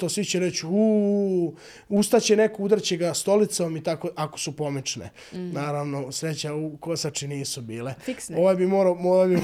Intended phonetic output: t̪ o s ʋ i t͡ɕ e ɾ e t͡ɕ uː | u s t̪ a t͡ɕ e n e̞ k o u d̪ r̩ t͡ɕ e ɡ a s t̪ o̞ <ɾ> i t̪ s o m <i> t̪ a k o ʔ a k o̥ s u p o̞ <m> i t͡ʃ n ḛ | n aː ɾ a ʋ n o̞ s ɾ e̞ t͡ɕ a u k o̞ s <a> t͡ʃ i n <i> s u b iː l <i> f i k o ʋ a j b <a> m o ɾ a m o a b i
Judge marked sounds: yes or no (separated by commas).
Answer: no, yes, yes, yes, no, no, no